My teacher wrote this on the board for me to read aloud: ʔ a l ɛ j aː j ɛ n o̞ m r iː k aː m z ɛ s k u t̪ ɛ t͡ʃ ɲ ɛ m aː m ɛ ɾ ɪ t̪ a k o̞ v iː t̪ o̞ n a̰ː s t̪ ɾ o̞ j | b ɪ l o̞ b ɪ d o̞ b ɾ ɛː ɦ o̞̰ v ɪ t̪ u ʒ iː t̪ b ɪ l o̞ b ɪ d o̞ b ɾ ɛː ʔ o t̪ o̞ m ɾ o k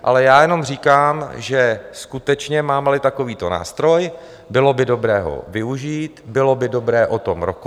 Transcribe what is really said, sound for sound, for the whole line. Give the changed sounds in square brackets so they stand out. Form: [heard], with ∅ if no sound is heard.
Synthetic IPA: ʔ a l ɛ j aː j ɛ n o̞ m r iː k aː m [ʒ] ɛ s k u t̪ ɛ t͡ʃ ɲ ɛ m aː m ɛ [l] ɪ t̪ a k o̞ v iː t̪ o̞ n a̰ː s t̪ ɾ o̞ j | b ɪ l o̞ b ɪ d o̞ b ɾ ɛː ɦ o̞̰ v ɪ [∅] u ʒ iː t̪ b ɪ l o̞ b ɪ d o̞ b ɾ ɛː ʔ o t̪ o̞ m ɾ o k